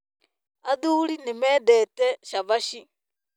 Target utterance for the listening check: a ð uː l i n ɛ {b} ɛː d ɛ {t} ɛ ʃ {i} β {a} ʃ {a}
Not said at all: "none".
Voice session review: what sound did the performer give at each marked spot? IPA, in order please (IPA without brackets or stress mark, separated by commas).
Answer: m, t, a, a, i